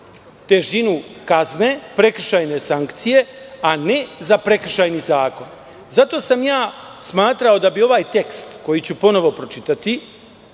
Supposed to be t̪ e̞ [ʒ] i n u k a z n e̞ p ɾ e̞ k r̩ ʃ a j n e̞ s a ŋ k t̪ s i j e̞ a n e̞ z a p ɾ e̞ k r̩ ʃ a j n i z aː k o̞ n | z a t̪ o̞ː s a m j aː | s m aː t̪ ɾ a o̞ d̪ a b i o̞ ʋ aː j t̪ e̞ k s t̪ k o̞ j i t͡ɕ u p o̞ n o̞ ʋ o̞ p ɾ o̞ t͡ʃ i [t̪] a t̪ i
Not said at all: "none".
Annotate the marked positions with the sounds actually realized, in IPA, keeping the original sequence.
ʒ, t̪

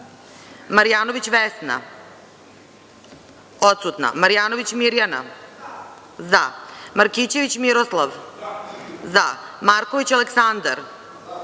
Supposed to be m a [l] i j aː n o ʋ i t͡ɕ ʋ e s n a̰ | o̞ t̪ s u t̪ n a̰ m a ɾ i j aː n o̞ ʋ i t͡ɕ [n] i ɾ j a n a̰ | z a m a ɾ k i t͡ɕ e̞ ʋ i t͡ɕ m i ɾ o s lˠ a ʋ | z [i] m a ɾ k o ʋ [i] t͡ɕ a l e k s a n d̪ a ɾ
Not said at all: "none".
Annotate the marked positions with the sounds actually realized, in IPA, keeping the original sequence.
ɾ, m, a, i

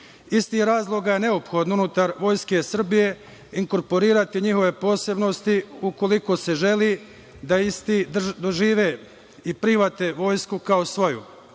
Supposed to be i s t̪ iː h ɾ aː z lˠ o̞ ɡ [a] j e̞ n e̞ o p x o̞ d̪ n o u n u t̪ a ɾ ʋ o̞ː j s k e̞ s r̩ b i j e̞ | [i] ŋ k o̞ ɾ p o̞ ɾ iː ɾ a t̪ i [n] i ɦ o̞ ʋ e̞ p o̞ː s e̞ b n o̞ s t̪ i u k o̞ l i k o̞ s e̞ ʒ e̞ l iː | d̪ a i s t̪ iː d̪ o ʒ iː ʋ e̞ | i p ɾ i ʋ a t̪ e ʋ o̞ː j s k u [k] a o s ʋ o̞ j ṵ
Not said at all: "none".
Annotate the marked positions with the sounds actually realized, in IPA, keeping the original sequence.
a, i, ɲ, k

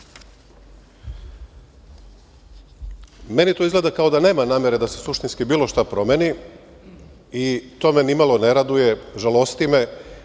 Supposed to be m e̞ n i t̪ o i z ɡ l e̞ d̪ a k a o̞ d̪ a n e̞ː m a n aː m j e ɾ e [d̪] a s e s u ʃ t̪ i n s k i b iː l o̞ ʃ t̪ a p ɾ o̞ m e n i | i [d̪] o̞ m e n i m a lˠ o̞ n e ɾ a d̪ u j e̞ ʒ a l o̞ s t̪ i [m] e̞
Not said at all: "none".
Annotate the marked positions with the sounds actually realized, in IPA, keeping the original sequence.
d̪, t̪, m

